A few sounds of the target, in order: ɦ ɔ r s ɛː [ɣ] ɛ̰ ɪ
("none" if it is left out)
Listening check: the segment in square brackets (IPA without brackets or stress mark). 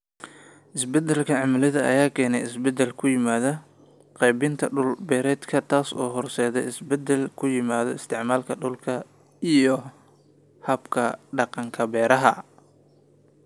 ð